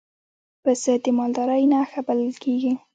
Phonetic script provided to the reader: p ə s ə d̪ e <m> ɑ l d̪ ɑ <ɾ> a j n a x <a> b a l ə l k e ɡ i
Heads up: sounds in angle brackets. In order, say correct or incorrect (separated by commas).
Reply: correct, correct, correct